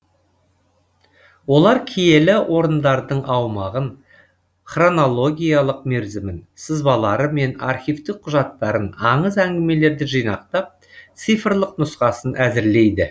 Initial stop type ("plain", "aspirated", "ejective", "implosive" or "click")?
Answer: aspirated